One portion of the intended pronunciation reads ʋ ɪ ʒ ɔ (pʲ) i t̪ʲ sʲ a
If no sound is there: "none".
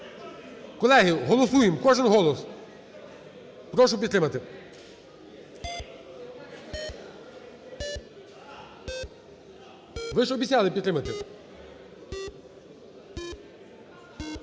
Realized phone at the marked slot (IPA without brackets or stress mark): bʲ